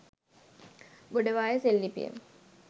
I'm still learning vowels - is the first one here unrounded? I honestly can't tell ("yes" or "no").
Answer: no